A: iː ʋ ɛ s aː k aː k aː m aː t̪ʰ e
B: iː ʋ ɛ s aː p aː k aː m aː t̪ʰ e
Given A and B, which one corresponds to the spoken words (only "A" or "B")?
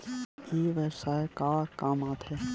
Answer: A